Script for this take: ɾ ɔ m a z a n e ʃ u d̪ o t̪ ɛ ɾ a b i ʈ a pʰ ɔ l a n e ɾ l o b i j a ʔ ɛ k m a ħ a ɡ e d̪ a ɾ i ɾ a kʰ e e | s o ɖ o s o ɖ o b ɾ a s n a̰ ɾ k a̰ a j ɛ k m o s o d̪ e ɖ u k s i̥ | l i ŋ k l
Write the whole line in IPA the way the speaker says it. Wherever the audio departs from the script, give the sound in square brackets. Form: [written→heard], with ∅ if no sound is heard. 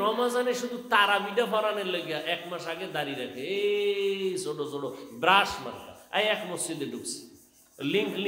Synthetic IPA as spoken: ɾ ɔ m a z a n e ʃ u d̪ [o→u] t̪ [ɛ→a] ɾ a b i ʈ a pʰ ɔ [l→ɾ] a n e ɾ l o [b→ɡ] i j a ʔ ɛ k m a [ħ→ʃ] a ɡ e d̪ a ɾ i ɾ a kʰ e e | s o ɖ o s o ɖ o b ɾ a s [n→m] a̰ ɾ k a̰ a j ɛ k m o s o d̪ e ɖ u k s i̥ | l i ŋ k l